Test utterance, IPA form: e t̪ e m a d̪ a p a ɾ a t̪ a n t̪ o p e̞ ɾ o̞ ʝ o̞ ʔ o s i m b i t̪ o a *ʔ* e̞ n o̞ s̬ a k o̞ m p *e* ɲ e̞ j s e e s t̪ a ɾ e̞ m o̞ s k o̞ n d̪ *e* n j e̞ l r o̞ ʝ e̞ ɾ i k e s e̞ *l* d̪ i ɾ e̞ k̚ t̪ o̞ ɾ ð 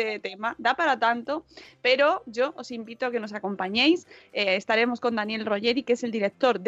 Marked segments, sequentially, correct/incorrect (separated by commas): incorrect, incorrect, incorrect, correct